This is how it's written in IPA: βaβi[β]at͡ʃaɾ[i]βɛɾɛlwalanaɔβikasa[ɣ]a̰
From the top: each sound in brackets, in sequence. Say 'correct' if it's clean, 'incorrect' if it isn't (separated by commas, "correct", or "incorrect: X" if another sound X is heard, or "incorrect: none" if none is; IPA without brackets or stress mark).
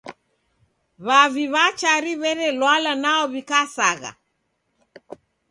correct, correct, correct